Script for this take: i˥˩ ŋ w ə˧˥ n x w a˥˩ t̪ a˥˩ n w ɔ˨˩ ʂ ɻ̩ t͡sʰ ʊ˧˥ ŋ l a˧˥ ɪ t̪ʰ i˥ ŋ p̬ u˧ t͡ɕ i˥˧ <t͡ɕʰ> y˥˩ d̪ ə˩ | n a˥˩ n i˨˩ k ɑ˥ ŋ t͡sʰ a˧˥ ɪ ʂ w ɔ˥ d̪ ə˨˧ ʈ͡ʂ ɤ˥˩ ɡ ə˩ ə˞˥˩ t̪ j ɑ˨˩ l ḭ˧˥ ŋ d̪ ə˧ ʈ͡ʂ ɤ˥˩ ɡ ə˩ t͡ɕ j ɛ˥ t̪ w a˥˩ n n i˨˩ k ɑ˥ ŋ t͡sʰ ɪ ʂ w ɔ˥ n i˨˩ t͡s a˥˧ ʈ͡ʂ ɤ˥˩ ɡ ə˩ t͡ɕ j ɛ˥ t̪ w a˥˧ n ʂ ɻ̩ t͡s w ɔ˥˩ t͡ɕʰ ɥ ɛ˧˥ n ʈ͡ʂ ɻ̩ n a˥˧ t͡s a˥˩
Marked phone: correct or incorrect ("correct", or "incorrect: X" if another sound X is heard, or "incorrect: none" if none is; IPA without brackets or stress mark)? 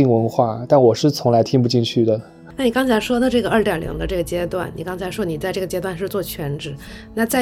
correct